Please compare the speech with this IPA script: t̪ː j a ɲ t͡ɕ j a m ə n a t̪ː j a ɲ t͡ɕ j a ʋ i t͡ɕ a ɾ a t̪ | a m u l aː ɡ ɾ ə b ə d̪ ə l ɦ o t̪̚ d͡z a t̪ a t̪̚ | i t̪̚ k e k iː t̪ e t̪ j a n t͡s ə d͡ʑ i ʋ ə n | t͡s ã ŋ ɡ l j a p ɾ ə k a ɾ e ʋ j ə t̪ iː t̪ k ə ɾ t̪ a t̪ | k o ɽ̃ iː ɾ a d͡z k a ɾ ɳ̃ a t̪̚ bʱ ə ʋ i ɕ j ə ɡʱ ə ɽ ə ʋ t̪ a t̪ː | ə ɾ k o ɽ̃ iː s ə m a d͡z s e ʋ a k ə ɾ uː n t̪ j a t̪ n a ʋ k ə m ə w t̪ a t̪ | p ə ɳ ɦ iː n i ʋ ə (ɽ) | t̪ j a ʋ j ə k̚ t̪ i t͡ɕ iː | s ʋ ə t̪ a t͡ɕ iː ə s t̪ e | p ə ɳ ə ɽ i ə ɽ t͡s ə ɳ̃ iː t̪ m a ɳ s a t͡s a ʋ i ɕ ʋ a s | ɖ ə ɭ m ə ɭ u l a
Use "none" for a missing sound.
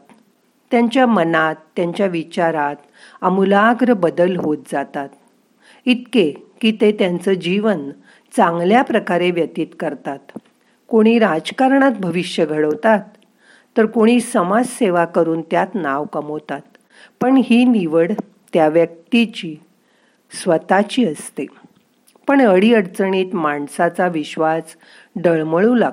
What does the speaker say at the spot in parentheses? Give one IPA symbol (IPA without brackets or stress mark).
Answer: ɽ